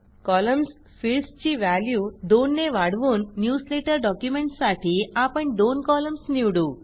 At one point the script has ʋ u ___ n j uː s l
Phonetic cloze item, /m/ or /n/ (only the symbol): n